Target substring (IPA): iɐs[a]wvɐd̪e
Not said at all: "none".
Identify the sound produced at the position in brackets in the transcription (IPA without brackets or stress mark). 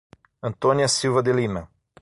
i